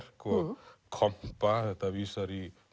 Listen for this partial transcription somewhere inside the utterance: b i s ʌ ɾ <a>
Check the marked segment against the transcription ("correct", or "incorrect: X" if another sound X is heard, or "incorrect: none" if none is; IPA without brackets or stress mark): incorrect: i